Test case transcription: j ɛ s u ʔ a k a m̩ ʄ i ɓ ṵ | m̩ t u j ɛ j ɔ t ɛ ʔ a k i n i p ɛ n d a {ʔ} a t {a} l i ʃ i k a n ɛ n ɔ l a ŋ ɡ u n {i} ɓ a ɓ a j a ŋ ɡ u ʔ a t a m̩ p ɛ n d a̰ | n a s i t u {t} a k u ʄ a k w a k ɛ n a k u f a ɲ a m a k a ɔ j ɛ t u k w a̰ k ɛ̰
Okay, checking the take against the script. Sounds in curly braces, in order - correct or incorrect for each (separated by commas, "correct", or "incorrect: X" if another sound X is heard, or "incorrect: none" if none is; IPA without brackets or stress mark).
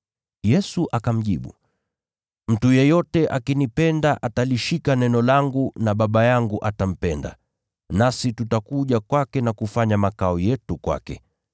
correct, correct, incorrect: a, correct